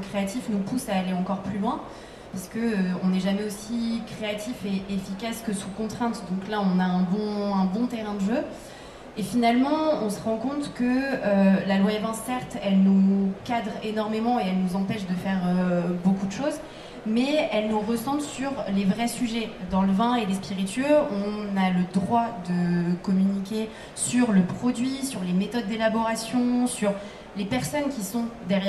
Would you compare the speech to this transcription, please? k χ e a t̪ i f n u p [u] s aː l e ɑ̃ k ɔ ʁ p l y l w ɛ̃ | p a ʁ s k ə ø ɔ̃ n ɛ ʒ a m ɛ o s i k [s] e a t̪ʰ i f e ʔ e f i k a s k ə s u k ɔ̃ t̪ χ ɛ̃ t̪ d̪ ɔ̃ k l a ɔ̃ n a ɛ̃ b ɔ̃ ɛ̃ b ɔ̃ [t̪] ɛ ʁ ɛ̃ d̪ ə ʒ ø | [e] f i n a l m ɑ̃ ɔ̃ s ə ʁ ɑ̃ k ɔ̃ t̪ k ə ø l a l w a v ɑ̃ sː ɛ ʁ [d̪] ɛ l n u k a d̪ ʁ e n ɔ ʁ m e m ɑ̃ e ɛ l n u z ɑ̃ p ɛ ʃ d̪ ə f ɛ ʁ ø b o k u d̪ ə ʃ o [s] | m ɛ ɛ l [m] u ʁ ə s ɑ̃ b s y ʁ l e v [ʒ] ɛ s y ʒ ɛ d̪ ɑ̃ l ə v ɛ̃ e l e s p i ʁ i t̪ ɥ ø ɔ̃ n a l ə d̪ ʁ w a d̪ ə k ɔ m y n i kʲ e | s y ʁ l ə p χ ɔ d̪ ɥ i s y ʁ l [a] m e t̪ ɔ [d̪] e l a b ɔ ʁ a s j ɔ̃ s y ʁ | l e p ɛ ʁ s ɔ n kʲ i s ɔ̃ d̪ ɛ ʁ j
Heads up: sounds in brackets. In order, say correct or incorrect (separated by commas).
correct, incorrect, correct, correct, incorrect, incorrect, incorrect, incorrect, incorrect, incorrect